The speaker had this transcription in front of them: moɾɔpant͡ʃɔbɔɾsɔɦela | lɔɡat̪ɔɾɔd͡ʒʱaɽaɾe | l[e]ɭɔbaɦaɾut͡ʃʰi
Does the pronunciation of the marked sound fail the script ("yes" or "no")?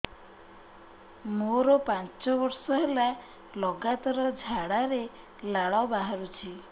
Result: yes